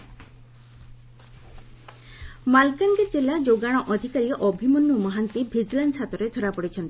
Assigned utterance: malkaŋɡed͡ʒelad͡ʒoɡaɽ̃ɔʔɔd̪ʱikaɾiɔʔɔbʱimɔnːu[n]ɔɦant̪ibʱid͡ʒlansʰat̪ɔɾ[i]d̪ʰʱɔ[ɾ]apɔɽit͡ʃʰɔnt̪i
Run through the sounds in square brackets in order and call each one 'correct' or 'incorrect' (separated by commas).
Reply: incorrect, incorrect, correct